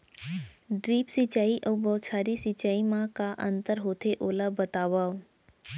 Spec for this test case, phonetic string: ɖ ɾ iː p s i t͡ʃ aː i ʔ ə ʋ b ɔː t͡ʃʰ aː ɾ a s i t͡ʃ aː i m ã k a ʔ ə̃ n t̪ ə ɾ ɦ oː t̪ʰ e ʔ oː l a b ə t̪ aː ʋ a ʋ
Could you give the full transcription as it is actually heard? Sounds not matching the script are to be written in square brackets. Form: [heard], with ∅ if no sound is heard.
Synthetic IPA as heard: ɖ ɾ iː p s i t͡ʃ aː i ʔ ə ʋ b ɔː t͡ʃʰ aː ɾ [i] s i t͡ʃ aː i m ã k a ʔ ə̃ n t̪ ə ɾ ɦ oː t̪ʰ e ʔ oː l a b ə t̪ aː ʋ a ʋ